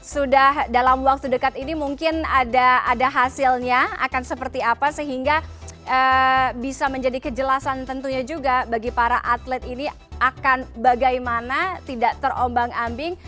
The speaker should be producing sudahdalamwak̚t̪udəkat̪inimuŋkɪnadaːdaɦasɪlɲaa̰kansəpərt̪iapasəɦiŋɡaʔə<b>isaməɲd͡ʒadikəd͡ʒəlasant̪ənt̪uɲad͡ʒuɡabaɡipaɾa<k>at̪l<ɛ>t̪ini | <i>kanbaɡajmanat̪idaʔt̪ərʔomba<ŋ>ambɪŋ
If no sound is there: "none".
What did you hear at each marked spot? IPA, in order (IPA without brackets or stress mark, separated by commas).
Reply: b, ʔ, ɛ, a, ŋ